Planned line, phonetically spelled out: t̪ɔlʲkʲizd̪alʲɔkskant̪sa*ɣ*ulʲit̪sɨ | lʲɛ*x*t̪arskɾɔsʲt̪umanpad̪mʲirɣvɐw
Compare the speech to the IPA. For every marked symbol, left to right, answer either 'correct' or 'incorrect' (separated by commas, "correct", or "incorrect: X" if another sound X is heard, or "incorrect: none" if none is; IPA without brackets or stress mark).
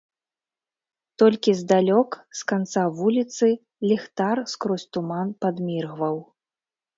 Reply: incorrect: v, correct